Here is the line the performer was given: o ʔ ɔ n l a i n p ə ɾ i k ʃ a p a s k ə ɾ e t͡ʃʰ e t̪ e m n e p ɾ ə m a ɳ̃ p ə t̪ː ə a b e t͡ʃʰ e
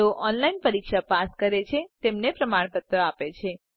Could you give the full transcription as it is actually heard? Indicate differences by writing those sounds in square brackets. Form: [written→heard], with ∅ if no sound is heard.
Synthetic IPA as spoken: o ʔ ɔ n l a i n p ə ɾ i k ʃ a p a s k ə ɾ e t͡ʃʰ e t̪ e m n e p ɾ ə m a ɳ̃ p ə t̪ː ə a [b→p] e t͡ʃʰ e